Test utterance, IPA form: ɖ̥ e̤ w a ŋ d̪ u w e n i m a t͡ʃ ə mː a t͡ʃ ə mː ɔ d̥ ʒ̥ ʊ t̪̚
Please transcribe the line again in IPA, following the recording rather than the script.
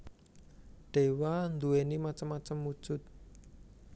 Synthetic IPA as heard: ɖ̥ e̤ w a n d̪ u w e n i m a t͡ʃ ə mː a t͡ʃ ə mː u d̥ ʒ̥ ʊ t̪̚

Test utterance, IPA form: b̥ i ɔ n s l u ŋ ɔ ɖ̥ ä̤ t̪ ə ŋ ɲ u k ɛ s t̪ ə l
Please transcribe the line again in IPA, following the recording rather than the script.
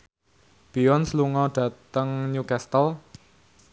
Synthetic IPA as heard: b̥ i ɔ n s l u ŋ ɔ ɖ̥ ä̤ t̪ ə ŋ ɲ u k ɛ s t̪ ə l

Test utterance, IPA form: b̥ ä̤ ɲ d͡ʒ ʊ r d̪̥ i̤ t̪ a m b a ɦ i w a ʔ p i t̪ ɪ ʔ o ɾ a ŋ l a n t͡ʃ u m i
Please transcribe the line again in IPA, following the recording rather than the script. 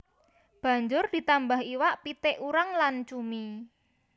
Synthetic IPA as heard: b̥ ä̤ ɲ d͡ʒ ʊ r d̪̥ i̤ t̪ a m b a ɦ i w a ʔ p i t̪ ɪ ʔ u ɾ a ŋ l a n t͡ʃ u m i

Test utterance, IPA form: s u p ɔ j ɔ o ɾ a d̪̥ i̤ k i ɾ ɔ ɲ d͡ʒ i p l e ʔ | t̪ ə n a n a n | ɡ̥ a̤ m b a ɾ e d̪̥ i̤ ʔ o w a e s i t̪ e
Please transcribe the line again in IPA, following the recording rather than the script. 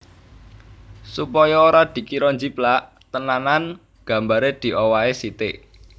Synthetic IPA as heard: s u p ɔ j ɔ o ɾ a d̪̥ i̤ k i ɾ ɔ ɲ d͡ʒ i p l a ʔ | t̪ ə n a n a n | ɡ̥ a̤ m b a ɾ e d̪̥ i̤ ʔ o w a e s i t̪ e

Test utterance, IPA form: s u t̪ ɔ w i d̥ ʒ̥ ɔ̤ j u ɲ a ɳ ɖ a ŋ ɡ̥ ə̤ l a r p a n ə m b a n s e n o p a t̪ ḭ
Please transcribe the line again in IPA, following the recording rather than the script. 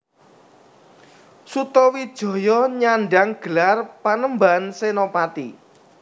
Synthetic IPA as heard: s u t̪ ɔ w i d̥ ʒ̥ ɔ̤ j ɔ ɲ a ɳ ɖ a ŋ ɡ̥ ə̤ l a r p a n ə m b a n s e n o p a t̪ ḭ

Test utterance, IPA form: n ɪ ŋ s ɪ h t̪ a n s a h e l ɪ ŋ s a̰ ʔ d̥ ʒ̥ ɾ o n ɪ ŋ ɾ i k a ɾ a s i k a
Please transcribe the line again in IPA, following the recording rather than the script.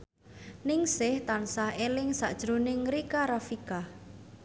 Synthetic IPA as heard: n ɪ ŋ s ɪ h t̪ a n s a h e l ɪ ŋ s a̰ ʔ d̥ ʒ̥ ɾ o n ɪ ŋ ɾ i k a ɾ a f i k a

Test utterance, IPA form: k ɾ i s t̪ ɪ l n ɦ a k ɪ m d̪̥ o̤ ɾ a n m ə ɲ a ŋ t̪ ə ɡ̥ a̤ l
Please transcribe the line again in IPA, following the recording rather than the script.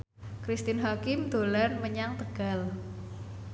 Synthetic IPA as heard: k ɾ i s t̪ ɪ n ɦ a k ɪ m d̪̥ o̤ l a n m ə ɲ a ŋ t̪ ə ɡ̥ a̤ l

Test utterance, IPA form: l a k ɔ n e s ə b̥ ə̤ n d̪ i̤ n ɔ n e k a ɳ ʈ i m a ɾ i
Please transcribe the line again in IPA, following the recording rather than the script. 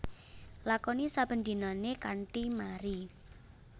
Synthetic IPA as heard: l a k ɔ n i s a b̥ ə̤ n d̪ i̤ n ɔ n e k a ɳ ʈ i m a ɾ i

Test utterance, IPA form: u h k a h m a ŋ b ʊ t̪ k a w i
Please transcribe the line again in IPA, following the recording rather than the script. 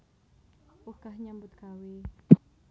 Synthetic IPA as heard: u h k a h ɲ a m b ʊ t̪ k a w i

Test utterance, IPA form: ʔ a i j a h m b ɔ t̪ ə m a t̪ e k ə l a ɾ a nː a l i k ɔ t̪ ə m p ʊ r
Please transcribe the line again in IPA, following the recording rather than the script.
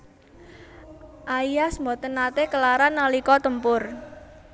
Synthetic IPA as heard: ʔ a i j a s m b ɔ t̪ ə n a t̪ e k ə l a ɾ a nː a l i k ɔ t̪ ə m p ʊ r

